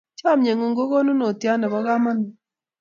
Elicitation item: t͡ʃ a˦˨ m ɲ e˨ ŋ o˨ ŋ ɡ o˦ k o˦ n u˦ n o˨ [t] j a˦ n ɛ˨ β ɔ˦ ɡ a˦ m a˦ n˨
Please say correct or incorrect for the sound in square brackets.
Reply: correct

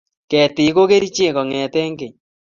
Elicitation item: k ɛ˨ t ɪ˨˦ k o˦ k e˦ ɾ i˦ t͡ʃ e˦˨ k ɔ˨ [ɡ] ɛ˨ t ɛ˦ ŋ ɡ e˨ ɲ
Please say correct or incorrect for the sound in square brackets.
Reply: incorrect: ŋ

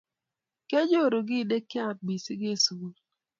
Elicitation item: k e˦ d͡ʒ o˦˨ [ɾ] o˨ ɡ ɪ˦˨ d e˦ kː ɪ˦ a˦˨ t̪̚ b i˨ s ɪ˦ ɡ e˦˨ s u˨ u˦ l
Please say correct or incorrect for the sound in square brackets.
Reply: correct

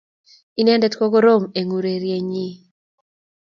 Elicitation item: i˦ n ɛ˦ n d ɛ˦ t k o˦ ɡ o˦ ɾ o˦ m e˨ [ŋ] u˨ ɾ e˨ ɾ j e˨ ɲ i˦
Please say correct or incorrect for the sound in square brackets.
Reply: correct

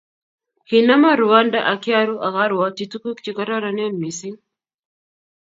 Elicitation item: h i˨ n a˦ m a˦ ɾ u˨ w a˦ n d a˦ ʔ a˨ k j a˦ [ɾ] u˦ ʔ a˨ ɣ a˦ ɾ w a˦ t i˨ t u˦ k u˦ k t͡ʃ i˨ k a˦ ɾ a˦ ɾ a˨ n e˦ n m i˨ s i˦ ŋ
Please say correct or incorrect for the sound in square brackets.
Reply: correct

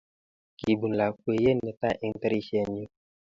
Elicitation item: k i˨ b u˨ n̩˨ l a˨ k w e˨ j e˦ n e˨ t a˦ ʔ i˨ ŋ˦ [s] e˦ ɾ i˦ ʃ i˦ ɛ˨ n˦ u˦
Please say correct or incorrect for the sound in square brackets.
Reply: incorrect: t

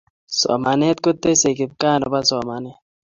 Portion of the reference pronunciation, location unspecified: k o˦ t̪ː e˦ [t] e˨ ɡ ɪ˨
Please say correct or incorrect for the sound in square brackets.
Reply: incorrect: s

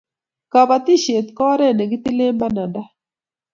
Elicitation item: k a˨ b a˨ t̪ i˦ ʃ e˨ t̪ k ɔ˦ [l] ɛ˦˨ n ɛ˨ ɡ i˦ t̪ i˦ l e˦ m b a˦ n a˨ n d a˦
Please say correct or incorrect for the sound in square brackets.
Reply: incorrect: ɾ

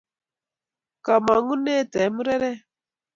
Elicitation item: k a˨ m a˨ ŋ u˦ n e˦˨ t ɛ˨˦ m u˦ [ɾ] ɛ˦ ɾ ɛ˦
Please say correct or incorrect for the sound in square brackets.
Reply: correct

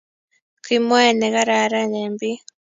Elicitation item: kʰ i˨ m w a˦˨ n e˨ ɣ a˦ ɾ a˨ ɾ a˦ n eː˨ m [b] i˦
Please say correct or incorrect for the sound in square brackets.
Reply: correct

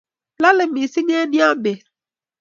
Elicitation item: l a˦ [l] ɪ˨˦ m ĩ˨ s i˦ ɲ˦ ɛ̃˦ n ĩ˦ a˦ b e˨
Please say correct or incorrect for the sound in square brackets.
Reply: correct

